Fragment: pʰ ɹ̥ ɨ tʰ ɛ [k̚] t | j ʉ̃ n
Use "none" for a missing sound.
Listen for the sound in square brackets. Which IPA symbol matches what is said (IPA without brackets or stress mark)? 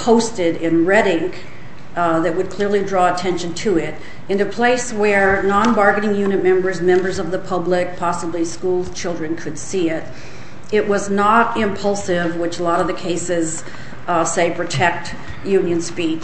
k̚